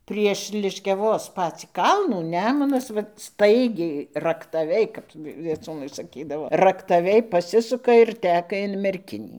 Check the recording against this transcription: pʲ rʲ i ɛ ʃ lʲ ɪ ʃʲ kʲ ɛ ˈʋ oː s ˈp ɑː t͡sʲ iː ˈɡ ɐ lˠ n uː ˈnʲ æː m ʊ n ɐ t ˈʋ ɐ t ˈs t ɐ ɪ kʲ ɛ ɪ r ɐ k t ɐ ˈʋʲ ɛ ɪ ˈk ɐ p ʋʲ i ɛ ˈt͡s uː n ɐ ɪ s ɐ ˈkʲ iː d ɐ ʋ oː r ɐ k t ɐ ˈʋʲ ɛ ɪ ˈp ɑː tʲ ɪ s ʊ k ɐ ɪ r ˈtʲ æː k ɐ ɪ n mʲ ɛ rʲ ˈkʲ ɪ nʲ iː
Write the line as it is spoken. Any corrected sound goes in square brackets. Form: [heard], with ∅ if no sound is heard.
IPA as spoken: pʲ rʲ i ɛ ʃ lʲ ɪ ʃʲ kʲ ɛ ˈʋ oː s ˈp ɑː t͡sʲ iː [ˈk] ɐ lˠ n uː ˈnʲ æː m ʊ n ɐ [s] ˈʋ ɐ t ˈs t ɐ ɪ [ɡʲ] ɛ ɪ r ɐ k t ɐ ˈʋʲ ɛ ɪ ˈk ɐ p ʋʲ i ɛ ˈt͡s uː n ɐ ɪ s ɐ ˈkʲ iː d ɐ ʋ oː r ɐ k t ɐ ˈʋʲ ɛ ɪ ˈp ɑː [sʲ] ɪ s ʊ k ɐ ɪ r ˈtʲ æː k ɐ ɪ n mʲ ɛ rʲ ˈkʲ ɪ nʲ iː